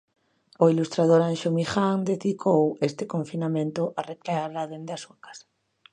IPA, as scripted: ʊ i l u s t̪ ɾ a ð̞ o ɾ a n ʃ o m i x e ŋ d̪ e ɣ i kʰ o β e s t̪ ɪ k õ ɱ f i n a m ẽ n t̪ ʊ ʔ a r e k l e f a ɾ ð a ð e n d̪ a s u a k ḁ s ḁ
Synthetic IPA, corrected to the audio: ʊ i l u s t̪ ɾ a ð̞ o ɾ a n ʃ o m i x a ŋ d̪ e ð i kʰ o w e s t̪ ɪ k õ ɱ f i n a m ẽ n t̪ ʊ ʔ a r e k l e a ɾ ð a ð e n d̪ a s u a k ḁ s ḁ